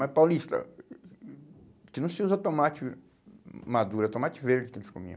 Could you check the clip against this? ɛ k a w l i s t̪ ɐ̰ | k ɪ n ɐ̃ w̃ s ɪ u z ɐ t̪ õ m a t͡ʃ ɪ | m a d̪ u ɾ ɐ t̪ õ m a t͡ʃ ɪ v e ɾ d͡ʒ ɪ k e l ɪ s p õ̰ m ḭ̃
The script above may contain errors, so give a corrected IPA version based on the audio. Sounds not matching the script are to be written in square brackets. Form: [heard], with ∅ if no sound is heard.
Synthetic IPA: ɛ [p] a w l i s t̪ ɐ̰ | k ɪ n ɐ̃ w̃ s ɪ u z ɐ t̪ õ m a t͡ʃ ɪ | m a d̪ u ɾ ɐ t̪ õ m a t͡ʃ ɪ v e ɾ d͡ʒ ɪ k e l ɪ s [k] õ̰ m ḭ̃